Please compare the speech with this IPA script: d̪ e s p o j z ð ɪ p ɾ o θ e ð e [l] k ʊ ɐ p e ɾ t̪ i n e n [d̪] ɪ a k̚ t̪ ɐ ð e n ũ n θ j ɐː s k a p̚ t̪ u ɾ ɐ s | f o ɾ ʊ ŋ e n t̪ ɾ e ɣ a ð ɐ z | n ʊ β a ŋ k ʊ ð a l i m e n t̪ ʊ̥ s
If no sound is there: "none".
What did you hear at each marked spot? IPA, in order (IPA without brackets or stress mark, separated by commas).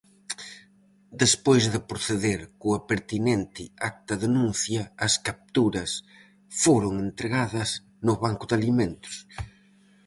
ɾ, t̪